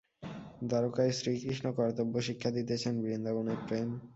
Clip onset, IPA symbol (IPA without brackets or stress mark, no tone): d̪